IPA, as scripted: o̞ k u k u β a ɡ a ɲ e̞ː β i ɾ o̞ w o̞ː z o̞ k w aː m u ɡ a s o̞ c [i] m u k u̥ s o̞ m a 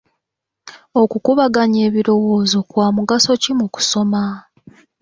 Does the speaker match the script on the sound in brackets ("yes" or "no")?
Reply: yes